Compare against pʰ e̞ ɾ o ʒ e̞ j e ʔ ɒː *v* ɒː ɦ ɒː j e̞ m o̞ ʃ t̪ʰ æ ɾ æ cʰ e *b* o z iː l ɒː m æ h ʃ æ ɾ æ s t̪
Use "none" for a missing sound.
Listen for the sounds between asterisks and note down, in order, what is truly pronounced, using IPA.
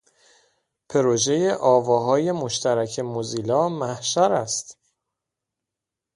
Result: v, m

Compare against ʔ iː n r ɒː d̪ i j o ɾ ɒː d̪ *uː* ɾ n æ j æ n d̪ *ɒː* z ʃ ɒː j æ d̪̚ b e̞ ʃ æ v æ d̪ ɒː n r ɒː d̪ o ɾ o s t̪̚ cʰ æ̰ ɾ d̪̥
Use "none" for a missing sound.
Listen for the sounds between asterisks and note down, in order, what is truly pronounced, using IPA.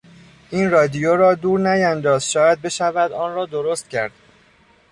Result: uː, ɒː

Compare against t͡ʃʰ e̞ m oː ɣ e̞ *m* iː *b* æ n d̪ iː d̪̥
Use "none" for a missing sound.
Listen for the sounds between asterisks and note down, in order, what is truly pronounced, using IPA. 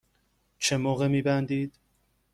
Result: m, b

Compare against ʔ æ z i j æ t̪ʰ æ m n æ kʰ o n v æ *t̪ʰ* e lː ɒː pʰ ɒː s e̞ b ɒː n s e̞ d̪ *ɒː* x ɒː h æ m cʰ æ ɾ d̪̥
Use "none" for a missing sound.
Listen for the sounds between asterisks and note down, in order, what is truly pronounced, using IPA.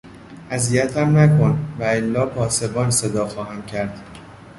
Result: none, ɒː

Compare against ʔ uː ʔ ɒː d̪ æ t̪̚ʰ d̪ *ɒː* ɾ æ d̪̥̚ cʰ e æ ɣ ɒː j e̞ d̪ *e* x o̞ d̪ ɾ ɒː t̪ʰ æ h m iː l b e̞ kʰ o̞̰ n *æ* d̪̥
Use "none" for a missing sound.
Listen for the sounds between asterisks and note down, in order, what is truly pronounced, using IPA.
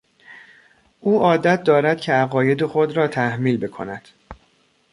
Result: ɒː, e, æ

